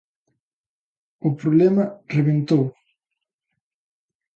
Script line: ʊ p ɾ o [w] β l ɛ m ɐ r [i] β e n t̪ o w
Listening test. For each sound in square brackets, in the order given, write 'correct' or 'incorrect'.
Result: incorrect, incorrect

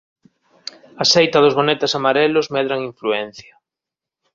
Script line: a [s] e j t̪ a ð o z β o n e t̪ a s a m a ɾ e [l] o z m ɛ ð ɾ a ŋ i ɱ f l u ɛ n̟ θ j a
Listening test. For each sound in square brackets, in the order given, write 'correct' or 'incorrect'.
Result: correct, correct

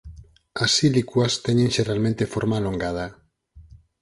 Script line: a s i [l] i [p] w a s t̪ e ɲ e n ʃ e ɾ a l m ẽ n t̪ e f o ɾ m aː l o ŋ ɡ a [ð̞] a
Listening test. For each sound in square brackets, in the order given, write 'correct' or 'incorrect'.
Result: correct, incorrect, correct

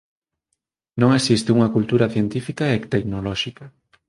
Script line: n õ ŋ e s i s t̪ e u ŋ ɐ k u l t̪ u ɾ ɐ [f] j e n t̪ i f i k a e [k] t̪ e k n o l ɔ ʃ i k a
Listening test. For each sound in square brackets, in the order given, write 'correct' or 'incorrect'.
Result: incorrect, correct

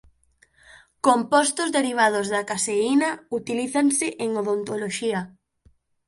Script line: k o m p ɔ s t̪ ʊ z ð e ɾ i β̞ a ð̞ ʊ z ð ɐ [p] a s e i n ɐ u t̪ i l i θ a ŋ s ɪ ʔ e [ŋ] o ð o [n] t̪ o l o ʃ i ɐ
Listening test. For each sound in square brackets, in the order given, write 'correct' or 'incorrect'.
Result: incorrect, correct, correct

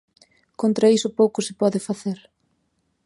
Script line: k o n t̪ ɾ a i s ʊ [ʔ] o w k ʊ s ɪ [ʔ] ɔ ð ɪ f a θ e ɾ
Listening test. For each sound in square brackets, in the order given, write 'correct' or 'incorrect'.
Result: incorrect, incorrect

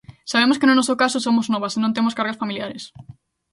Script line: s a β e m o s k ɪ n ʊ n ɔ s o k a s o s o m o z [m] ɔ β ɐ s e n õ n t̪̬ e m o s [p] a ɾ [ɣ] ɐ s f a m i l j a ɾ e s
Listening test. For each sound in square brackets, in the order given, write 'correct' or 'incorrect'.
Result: incorrect, incorrect, correct

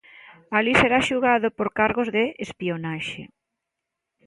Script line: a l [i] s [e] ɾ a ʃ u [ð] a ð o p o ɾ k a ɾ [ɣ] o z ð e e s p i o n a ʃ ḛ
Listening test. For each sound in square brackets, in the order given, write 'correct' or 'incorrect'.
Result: correct, correct, incorrect, correct

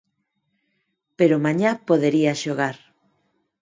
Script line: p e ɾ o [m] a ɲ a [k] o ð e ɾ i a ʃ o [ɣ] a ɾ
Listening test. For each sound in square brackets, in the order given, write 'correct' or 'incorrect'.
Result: correct, incorrect, correct

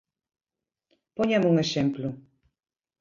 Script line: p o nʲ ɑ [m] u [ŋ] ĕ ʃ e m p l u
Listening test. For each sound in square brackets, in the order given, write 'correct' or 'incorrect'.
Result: correct, correct

